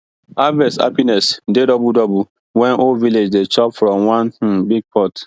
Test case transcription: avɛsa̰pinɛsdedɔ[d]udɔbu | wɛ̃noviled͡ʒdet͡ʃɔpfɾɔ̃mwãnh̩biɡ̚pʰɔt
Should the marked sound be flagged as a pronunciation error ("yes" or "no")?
yes